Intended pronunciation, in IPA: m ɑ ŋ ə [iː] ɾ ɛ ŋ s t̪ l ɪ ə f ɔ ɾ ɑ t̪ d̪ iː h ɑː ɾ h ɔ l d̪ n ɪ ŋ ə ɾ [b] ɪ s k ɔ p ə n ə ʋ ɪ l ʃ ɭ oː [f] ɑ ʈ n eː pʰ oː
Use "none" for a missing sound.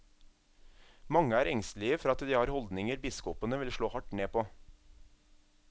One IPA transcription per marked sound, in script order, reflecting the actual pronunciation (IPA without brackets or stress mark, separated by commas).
æː, b, h